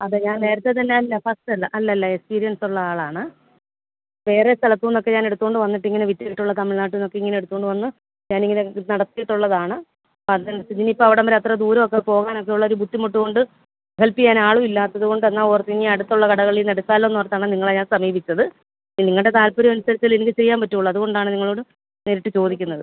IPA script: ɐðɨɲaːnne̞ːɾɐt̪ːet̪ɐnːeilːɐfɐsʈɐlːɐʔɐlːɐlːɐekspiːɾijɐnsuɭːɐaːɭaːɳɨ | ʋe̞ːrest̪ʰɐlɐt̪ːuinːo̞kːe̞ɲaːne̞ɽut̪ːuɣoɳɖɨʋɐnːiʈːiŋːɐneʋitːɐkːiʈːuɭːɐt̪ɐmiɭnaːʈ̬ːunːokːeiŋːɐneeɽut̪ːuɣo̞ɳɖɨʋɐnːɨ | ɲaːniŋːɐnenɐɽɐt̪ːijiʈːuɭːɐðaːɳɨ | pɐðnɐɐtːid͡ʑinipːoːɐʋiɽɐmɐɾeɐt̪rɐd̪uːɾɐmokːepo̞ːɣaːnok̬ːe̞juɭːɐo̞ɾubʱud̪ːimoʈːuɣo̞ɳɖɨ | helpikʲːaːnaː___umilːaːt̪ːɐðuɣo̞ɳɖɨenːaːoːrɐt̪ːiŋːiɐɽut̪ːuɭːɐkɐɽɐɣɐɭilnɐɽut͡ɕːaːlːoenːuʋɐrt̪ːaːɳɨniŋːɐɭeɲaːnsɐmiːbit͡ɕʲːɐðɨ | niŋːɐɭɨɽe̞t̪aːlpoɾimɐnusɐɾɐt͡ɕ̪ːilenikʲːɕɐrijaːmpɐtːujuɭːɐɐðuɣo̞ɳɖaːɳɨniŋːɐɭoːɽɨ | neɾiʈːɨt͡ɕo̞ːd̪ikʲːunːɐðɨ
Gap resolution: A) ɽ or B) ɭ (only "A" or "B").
B